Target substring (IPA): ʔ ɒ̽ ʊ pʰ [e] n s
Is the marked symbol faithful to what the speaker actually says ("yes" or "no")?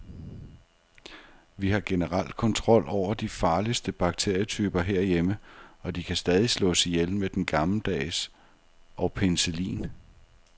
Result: yes